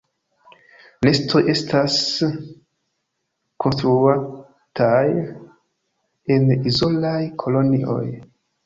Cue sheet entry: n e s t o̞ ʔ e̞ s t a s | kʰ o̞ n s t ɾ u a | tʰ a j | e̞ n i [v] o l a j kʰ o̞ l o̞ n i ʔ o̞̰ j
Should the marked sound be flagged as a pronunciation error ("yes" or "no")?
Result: yes